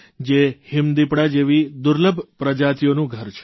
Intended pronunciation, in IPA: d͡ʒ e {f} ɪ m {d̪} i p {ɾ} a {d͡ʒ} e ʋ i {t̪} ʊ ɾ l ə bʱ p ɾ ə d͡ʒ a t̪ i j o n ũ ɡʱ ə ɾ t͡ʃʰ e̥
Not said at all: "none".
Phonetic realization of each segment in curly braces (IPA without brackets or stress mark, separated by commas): h, d̪, ɽ, d͡ʒ, d̪